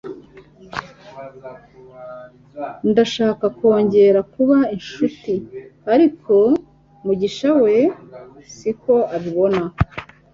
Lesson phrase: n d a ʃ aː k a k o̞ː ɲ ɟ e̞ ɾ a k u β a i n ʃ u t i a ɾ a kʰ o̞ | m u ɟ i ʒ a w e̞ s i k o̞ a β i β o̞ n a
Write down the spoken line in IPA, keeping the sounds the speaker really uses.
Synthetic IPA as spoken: n d a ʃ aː k a k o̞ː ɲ ɟ e̞ ɾ a k u β a i n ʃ u t i a ɾ i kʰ o̞ | m u ɟ i ʃ a w e̞ s i k o̞ a β i β o̞ n a